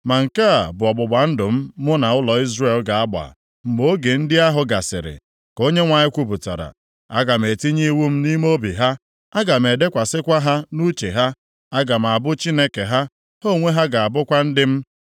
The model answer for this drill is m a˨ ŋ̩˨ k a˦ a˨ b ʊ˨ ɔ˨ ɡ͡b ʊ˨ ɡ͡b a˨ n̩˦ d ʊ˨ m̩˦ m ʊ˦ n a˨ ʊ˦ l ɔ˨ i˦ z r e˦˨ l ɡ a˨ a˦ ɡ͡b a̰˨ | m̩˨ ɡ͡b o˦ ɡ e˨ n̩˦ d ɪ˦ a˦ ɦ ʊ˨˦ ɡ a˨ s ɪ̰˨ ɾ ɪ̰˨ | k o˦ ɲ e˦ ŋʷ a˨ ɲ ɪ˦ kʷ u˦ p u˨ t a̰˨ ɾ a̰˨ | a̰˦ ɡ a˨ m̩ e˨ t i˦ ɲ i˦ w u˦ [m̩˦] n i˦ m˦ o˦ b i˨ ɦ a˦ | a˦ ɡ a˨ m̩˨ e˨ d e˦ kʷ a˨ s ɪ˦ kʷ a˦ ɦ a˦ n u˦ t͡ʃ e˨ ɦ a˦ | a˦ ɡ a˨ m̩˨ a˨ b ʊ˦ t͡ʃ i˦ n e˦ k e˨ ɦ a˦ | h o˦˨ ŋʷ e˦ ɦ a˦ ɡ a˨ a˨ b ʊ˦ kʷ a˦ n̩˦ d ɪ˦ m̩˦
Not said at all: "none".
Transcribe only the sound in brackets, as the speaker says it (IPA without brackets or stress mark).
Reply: m̩˦